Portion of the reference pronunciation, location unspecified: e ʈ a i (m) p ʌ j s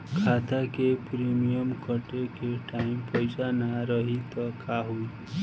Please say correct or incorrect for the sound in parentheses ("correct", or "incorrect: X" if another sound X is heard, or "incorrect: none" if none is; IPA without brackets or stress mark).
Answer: correct